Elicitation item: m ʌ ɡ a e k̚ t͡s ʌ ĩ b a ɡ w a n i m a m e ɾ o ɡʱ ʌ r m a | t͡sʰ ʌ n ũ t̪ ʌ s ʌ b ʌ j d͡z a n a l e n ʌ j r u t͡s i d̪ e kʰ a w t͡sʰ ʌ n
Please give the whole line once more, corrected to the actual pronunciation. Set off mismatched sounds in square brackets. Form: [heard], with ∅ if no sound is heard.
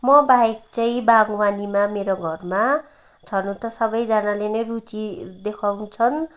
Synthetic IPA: m ʌ [b] a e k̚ t͡s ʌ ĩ b a ɡ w a n i m a m e ɾ o ɡʱ ʌ r m a | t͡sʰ ʌ n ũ t̪ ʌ s ʌ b ʌ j d͡z a n a l e n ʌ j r u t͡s i d̪ e kʰ a w t͡sʰ ʌ n